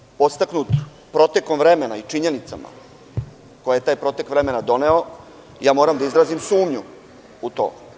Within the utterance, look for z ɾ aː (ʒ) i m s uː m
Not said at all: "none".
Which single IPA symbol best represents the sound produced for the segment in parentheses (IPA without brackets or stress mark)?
z